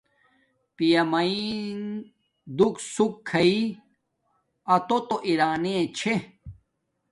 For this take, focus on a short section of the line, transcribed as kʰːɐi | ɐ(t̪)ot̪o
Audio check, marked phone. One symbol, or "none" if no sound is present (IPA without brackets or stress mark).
t̪